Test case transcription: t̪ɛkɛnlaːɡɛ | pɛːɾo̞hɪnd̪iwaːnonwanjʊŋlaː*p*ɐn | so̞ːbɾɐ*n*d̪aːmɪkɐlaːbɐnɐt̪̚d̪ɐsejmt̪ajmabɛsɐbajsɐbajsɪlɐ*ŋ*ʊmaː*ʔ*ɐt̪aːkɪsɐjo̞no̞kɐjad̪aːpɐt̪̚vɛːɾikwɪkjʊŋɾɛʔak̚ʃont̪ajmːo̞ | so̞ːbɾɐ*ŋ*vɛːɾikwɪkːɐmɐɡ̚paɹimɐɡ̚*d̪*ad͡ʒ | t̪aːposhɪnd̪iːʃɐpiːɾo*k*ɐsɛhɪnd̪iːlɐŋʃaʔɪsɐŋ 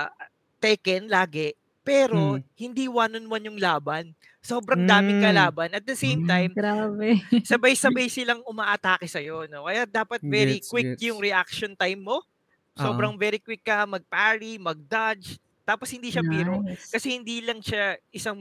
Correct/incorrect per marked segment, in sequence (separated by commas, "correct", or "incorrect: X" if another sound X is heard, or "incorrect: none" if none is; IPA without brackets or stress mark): incorrect: b, incorrect: ŋ, correct, correct, correct, correct, correct